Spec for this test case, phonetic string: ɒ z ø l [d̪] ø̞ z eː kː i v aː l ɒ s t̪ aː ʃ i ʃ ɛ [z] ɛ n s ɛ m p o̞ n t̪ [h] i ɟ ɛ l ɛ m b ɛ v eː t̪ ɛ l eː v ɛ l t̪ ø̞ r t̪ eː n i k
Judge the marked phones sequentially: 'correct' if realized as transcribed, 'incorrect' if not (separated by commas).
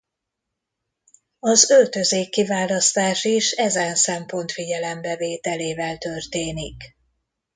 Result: incorrect, correct, incorrect